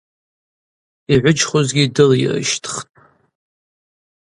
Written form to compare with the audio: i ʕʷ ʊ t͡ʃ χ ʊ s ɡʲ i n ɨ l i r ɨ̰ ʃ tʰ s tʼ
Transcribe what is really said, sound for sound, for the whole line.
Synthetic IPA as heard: i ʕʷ ʊ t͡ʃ χ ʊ z ɡʲ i d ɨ l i r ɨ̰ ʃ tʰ χ tʼ